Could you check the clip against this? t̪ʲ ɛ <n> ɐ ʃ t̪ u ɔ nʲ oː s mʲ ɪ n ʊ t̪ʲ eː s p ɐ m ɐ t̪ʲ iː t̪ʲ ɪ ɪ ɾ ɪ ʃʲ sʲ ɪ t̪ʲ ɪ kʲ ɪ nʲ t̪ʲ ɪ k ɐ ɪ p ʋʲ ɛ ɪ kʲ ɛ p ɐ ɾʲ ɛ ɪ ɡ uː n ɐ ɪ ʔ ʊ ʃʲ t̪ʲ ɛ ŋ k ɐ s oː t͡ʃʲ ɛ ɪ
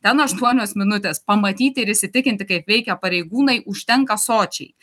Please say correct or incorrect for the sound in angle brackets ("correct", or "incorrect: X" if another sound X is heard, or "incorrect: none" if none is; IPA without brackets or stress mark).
correct